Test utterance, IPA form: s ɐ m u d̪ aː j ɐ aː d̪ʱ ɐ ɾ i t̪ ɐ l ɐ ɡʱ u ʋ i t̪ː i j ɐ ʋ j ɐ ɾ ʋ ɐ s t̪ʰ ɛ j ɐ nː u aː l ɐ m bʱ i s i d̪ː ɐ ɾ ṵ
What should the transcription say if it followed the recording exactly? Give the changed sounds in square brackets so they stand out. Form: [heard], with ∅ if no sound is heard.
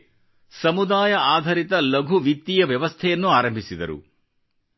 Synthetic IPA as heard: s ɐ m u d̪ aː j ɐ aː d̪ʱ ɐ ɾ i t̪ ɐ l ɐ ɡʱ u ʋ i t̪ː i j ɐ ʋ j ɐ [∅] ʋ ɐ s t̪ʰ ɛ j ɐ nː u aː [ɾ] ɐ m bʱ i s i [d̪] ɐ ɾ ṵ